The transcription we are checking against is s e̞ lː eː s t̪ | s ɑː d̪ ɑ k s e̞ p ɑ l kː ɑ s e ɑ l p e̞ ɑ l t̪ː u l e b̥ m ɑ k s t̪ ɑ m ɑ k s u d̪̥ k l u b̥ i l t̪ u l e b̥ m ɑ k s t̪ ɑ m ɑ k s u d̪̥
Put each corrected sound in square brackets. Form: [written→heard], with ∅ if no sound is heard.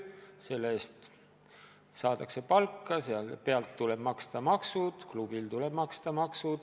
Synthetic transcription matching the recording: s e̞ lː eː s t̪ | s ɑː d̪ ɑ k s e̞ p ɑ l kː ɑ s e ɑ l p e̞ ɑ l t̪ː u l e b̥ m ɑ k s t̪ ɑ m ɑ k s u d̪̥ k l u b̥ i l t̪ u l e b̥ m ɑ k s t̪ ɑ m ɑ k s u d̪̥